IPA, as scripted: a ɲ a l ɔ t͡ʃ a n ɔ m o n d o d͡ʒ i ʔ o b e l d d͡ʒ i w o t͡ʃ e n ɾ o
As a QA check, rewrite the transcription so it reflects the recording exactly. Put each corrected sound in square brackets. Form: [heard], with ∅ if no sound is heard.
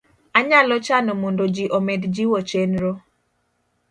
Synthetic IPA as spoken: a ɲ a l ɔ t͡ʃ a n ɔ m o n d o d͡ʒ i ʔ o [m] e [∅] d d͡ʒ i w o t͡ʃ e n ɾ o

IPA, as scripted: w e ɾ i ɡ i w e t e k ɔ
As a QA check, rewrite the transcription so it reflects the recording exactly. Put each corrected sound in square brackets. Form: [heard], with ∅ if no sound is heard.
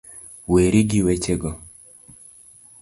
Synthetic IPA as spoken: w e ɾ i ɡ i w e [t͡ʃ] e [ɡ] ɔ

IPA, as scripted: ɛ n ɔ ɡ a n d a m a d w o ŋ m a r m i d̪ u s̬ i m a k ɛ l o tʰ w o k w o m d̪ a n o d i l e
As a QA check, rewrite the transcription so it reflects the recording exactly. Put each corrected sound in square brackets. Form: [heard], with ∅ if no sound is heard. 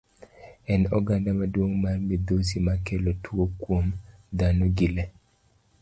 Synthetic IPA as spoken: ɛ n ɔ ɡ a n d a m a d w o ŋ m a r m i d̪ [o] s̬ i m a k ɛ l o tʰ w o k w o m d̪ a n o [ɡ] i l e

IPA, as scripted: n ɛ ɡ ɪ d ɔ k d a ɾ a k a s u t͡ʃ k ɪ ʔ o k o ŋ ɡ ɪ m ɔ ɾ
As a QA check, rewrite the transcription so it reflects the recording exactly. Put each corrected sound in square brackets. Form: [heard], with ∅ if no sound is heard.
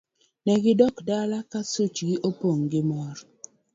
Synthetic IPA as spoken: n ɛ ɡ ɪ d ɔ k d a [l] a k a s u t͡ʃ [ɡ] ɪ ʔ o [p] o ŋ ɡ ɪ m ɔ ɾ

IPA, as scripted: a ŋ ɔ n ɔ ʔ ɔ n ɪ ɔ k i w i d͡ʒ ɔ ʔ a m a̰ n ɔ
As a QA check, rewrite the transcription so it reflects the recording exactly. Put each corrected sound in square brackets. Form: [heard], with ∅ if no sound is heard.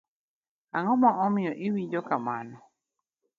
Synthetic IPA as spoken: a ŋ ɔ [m] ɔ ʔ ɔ [m] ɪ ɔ [ʔ] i w i d͡ʒ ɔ [k] a m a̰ n ɔ

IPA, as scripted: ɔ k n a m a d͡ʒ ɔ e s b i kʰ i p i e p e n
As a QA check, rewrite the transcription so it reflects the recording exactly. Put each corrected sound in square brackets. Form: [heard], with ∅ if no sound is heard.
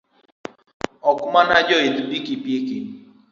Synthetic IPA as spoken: ɔ k [m] a [n] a d͡ʒ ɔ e [t] b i [k] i p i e [k] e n

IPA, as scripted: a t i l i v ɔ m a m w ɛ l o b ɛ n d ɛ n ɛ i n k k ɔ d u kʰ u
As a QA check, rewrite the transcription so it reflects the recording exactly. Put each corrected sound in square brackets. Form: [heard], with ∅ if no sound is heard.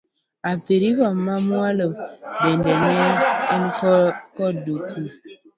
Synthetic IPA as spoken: a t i [ɾ] i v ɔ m a m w [a] l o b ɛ n d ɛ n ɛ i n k k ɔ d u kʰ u

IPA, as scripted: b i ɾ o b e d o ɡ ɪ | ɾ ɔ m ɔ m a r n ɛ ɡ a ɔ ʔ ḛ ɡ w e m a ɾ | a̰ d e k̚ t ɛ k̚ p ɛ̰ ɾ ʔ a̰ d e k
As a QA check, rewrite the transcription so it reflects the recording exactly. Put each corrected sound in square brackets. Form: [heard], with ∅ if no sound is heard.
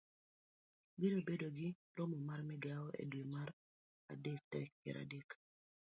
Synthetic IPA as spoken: b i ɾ o b e d o ɡ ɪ | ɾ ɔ m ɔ m a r [m] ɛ ɡ a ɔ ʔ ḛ [d] w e m a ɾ | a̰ d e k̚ t ɛ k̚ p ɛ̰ ɾ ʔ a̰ d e k

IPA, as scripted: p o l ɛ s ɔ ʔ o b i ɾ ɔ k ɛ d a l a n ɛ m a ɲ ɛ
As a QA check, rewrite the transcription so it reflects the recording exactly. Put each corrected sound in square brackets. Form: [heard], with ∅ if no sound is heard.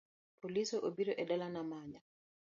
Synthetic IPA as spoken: p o l [i] s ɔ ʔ o b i ɾ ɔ [ʔ] ɛ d a l a n [a] m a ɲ [a]

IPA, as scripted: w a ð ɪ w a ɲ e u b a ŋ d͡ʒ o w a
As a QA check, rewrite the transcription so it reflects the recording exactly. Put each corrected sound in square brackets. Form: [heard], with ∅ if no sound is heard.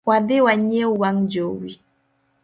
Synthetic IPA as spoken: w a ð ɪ w a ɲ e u [w] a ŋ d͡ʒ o w [i]

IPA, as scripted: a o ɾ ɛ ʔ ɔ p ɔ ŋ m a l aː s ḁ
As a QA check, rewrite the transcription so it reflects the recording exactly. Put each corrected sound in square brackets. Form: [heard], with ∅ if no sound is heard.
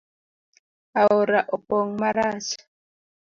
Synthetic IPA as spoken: a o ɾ [a] ʔ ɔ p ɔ ŋ m a [ɾ] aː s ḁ

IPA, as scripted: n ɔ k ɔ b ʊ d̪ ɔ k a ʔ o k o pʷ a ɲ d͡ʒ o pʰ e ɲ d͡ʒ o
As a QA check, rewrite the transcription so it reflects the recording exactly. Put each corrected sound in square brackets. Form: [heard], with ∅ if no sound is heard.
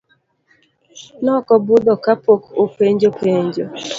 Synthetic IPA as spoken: n ɔ k ɔ b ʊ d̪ ɔ k a [p] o k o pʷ [e] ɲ d͡ʒ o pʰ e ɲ d͡ʒ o

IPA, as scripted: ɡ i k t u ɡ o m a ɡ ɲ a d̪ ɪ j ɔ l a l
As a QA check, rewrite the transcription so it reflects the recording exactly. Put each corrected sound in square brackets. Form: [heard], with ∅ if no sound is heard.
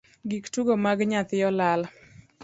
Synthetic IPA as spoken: ɡ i k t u ɡ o m a ɡ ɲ a [t̪] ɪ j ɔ l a l

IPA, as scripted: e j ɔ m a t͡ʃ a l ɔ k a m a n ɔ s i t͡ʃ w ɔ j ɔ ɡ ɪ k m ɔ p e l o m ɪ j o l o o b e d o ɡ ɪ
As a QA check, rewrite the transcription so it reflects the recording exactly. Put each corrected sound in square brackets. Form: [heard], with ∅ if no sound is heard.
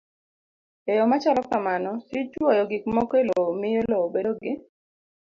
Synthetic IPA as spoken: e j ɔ m a t͡ʃ a l ɔ k a m a n ɔ s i t͡ʃ w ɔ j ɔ ɡ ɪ k m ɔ [k] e l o m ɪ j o l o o b e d o ɡ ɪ

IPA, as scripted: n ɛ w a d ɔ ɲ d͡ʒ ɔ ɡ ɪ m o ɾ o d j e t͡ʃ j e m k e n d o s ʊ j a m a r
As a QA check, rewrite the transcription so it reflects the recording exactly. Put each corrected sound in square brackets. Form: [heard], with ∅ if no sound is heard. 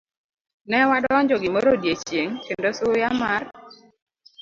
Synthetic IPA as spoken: n ɛ w a d ɔ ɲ d͡ʒ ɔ ɡ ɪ m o ɾ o d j e t͡ʃ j e [ŋ] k e n d o s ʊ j a m a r

